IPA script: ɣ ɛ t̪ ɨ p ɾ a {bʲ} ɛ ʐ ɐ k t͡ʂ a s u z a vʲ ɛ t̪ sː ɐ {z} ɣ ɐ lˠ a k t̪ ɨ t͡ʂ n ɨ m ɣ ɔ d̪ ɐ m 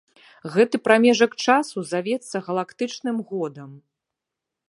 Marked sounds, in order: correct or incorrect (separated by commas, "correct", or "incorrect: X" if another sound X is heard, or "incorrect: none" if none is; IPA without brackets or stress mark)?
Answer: incorrect: mʲ, incorrect: none